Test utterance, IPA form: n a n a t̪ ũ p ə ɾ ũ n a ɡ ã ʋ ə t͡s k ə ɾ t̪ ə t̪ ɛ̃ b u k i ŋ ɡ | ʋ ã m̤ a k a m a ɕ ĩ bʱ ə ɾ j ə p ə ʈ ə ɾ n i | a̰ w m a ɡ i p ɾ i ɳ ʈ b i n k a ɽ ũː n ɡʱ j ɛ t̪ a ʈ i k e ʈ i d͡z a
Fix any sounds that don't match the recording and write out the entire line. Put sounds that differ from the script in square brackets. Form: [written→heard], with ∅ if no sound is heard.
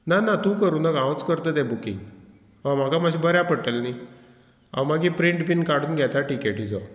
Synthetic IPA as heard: n a n a t̪ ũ [p→k] ə ɾ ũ n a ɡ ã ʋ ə t͡s k ə ɾ t̪ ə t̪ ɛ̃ b u k i ŋ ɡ | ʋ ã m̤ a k a m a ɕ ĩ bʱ ə ɾ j [ə→a] p ə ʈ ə [ɾ→l] n i | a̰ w m a ɡ i p ɾ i ɳ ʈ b i n k a ɽ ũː n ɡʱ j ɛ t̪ a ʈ i k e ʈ i d͡z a

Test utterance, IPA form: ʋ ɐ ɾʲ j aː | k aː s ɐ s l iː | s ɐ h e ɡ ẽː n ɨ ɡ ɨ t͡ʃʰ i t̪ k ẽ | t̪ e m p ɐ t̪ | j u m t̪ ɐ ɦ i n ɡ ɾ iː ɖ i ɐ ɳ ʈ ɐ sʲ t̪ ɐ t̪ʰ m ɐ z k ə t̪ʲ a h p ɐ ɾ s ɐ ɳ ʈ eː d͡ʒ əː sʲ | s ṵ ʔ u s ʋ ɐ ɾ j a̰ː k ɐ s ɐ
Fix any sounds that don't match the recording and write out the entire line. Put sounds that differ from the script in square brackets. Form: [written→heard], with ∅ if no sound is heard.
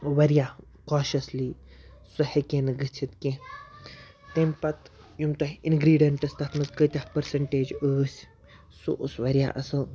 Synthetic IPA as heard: ʋ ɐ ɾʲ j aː | k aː [s→ʃ] ɐ s l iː | s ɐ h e [ɡ→k] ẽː n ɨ ɡ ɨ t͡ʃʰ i t̪ k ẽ | t̪ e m p ɐ t̪ | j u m t̪ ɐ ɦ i n ɡ ɾ iː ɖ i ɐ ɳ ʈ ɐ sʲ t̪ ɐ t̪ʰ m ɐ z k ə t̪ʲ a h p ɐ ɾ s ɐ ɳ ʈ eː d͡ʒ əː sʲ | s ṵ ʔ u s ʋ ɐ ɾ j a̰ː [k→ʔ] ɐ s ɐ

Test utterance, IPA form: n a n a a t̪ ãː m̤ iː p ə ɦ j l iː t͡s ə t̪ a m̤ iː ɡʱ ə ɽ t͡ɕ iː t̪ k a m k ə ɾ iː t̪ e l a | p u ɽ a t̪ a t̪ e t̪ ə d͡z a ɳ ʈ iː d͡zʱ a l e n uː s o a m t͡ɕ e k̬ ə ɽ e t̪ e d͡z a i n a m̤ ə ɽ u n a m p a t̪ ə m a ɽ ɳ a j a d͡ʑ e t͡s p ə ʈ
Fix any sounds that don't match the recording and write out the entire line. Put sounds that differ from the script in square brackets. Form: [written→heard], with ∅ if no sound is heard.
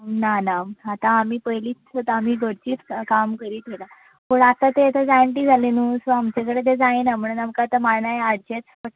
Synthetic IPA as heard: n a n a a t̪ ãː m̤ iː p ə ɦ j l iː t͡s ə t̪ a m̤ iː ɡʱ ə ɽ t͡ɕ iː t̪ k a m k ə ɾ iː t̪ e l a | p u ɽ a t̪ a t̪ e t̪ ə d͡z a ɳ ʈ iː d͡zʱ a l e n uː s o a m t͡ɕ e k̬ ə ɽ e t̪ e d͡z a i n a m̤ ə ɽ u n a m [p→k] a t̪ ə m a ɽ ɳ a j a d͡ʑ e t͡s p ə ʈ

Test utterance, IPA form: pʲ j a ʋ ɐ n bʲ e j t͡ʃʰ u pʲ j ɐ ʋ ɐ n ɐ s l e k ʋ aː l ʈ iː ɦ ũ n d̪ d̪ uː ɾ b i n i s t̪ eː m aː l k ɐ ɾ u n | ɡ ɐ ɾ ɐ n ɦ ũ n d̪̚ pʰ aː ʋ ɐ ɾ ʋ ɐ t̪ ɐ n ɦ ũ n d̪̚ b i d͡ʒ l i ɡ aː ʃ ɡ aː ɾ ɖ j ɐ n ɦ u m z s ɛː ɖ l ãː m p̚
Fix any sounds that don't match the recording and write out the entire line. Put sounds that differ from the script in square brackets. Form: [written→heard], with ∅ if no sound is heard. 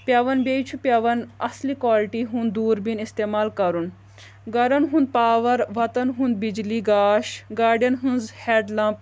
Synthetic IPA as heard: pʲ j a ʋ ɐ n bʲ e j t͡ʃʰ u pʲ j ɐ ʋ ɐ n ɐ s l [e→i] k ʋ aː l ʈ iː ɦ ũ n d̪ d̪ uː ɾ b i n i s t̪ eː m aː l k ɐ ɾ u n | ɡ ɐ ɾ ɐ n ɦ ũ n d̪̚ [pʰ→p] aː ʋ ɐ ɾ ʋ ɐ t̪ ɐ n ɦ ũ n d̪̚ b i d͡ʒ l i ɡ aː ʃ ɡ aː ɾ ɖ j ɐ n ɦ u [m→n] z [s→h] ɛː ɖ l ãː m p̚

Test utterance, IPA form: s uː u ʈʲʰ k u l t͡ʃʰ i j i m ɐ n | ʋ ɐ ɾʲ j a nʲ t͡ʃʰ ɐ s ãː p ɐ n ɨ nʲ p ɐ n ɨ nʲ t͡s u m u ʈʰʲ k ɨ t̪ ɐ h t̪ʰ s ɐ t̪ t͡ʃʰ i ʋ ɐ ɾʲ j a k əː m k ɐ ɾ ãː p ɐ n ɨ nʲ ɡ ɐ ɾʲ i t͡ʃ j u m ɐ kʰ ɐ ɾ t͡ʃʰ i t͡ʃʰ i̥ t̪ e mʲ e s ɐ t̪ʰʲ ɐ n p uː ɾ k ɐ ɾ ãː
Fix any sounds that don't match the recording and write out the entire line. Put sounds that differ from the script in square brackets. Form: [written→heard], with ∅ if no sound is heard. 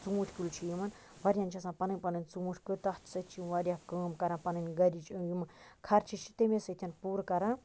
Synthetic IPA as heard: [s→t͡s] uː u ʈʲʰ k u l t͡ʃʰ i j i m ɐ n | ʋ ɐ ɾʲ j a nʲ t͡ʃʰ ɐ s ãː p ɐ n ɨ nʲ p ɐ n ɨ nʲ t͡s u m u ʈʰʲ k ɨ t̪ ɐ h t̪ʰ s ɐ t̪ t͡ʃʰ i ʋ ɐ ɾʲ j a k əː m k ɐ ɾ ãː p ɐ n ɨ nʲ ɡ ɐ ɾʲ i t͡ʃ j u m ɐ kʰ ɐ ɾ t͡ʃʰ i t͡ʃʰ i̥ t̪ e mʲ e s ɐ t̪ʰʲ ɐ n p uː ɾ k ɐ ɾ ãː

